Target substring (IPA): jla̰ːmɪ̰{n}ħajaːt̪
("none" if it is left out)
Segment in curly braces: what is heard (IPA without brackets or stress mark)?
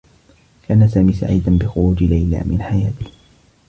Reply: n